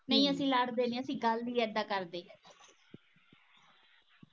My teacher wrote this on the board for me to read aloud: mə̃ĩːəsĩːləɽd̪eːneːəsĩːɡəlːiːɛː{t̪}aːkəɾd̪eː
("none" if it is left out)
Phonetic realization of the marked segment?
d̪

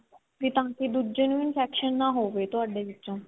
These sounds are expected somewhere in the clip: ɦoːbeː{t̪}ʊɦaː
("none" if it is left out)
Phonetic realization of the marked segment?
t̪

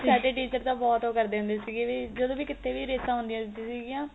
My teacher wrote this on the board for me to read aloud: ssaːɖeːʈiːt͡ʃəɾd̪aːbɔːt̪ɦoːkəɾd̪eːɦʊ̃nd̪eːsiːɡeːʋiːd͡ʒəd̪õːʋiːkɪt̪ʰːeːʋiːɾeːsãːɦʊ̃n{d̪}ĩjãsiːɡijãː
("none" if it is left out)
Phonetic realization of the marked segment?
d̪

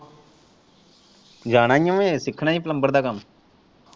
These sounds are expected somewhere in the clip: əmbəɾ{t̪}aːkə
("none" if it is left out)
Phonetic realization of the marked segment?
d̪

